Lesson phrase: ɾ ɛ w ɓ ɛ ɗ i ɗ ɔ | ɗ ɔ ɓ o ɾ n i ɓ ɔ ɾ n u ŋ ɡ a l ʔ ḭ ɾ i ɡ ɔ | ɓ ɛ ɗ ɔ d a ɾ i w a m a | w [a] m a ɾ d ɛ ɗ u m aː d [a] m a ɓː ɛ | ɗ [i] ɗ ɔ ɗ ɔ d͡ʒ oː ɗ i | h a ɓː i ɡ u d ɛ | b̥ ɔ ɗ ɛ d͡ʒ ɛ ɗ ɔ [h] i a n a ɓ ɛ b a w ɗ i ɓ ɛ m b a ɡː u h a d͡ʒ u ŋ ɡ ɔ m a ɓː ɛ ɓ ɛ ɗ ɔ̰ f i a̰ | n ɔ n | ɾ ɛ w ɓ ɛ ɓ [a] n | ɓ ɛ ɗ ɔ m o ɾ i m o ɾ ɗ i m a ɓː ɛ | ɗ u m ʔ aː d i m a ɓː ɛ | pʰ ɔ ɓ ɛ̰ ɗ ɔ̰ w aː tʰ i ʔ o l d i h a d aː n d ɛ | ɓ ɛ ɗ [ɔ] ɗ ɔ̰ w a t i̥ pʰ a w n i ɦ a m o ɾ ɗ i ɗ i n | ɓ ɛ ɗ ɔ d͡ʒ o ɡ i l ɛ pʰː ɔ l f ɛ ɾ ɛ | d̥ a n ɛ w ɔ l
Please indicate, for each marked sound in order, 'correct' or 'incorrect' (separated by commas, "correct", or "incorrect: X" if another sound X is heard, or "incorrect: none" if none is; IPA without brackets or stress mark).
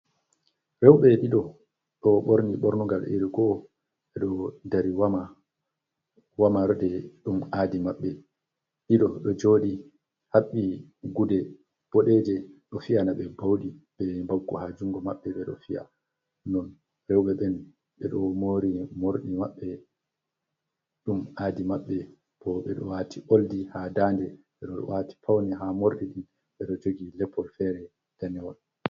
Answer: correct, incorrect: i, correct, incorrect: f, incorrect: ɛ, correct